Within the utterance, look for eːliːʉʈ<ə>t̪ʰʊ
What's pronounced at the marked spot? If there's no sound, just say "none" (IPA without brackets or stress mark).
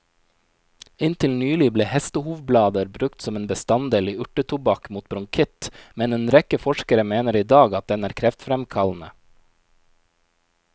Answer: ə